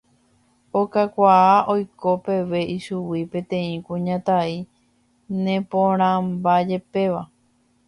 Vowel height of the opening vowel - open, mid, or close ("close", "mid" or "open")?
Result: mid